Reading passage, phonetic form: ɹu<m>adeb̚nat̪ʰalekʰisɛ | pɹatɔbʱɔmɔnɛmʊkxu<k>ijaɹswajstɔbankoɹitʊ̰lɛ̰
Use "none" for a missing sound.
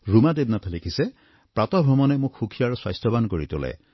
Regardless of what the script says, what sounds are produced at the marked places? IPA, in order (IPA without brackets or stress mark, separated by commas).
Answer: m, kʰ